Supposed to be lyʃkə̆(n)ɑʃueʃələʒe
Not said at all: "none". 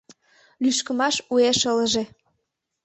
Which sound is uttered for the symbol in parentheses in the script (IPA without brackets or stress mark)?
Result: m